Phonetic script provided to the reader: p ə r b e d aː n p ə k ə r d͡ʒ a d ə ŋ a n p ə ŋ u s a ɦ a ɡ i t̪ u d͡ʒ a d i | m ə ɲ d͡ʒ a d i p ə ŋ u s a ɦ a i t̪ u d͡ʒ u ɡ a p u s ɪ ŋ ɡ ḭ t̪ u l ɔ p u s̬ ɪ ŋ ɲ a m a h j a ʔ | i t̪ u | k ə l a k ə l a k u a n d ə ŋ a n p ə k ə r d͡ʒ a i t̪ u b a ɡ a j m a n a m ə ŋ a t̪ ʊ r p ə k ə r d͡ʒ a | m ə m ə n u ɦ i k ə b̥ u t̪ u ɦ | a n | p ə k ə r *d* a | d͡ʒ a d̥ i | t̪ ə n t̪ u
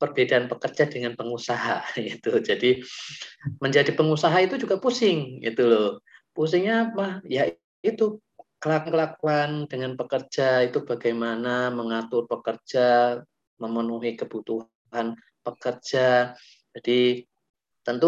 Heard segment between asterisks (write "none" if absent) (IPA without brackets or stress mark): d͡ʒ